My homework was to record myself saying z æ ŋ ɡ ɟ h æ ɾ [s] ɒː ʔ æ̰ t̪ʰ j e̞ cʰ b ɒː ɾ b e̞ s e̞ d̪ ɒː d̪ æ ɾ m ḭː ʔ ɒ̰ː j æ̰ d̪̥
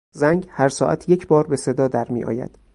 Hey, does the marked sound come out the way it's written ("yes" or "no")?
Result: yes